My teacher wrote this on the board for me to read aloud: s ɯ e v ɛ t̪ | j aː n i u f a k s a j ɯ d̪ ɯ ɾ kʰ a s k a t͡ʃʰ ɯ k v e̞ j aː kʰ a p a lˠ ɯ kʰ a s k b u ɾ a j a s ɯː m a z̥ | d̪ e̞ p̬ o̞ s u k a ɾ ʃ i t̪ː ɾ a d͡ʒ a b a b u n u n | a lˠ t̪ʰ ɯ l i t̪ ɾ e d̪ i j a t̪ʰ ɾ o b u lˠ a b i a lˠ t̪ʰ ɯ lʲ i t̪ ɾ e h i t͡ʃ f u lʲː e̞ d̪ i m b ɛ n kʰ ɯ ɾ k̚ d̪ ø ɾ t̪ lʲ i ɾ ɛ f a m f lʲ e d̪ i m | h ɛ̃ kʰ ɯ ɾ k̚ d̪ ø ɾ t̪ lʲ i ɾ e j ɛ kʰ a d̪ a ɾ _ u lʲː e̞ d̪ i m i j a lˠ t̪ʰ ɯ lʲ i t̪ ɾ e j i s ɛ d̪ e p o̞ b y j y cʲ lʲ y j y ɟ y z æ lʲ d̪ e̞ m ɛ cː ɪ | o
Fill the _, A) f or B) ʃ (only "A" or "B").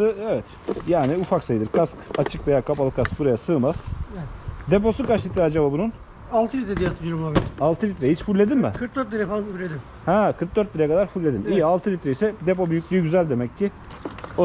A